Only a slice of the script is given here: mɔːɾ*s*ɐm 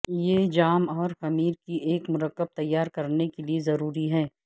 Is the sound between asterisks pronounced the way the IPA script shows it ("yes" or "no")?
no